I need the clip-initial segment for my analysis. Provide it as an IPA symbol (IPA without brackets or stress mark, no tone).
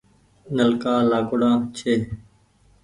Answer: n